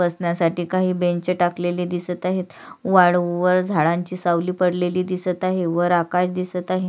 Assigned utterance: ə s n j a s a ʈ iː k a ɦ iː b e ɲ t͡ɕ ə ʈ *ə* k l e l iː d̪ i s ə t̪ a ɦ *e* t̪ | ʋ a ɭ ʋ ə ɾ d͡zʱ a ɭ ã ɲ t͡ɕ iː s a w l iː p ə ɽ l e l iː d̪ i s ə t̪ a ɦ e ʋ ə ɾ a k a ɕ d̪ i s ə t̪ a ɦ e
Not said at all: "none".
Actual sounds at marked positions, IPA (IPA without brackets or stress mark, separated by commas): a, e